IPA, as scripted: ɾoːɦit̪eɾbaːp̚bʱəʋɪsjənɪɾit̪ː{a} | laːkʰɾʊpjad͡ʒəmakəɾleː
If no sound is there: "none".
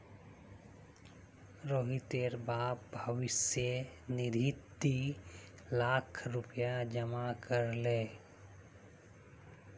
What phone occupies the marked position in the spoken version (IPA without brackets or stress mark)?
i